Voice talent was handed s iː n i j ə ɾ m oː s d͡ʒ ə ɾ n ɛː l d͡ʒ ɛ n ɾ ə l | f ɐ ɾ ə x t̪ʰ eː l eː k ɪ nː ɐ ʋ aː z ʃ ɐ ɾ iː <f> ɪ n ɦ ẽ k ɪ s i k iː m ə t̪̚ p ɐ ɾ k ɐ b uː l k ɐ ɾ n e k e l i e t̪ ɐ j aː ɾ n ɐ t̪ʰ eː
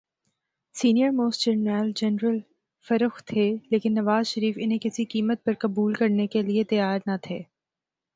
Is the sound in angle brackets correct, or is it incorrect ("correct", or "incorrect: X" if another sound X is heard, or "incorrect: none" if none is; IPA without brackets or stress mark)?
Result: correct